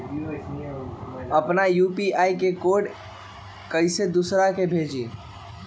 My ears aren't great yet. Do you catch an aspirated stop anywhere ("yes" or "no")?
no